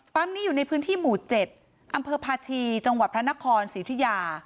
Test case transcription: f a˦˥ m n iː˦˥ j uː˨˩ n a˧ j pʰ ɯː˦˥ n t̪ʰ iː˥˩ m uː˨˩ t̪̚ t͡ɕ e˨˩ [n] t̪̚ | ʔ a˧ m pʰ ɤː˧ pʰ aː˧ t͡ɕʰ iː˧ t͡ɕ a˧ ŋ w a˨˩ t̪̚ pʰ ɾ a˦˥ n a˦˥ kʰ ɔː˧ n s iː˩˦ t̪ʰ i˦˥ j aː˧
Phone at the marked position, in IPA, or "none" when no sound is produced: none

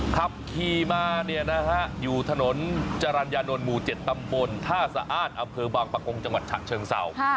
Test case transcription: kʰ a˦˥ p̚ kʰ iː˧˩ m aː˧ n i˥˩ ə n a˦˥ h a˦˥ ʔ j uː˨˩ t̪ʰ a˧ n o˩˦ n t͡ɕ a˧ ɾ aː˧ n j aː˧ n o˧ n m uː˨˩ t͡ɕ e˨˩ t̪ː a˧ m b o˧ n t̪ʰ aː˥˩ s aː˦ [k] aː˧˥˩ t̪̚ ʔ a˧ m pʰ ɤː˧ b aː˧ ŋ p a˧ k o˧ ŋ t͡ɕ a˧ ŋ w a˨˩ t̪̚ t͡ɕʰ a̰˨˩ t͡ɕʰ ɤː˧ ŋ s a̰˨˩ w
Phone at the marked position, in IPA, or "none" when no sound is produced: ʔ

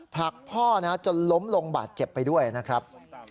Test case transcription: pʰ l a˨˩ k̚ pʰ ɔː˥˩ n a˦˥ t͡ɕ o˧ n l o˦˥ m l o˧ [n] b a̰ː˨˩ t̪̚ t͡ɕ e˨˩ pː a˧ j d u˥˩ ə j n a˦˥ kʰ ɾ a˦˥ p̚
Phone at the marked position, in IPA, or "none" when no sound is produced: ŋ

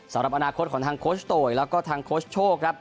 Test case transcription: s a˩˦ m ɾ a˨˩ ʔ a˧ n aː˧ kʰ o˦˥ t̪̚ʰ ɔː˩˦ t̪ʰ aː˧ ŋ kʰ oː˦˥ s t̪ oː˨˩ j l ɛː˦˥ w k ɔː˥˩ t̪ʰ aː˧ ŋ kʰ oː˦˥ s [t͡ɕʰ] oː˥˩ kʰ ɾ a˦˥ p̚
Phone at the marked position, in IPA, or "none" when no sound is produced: t͡ɕʰ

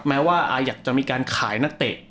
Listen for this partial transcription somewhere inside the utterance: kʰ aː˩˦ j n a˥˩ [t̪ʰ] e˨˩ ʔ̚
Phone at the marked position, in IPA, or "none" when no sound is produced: t̪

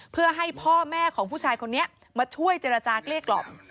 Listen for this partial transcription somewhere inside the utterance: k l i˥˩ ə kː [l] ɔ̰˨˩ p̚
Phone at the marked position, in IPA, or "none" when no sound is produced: l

